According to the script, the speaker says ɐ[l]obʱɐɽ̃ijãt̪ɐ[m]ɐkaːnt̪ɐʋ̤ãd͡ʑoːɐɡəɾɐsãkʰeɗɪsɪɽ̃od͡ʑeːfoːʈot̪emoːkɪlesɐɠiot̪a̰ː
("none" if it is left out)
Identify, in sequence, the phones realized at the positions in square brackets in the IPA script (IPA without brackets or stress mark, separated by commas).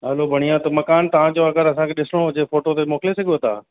l, m